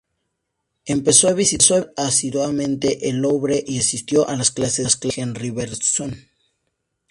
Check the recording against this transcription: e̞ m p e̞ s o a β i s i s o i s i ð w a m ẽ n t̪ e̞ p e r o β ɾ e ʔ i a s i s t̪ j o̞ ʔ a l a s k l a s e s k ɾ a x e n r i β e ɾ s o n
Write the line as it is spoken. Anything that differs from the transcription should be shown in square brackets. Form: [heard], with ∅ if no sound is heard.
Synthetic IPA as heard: e̞ m p e̞ s o a β i s i s o [a] s i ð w a m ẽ n t̪ e̞ [ʔ] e [l] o β ɾ e ʔ i a s i s t̪ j o̞ ʔ a l a s k l a s e s k [l] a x e n r i β e ɾ s o n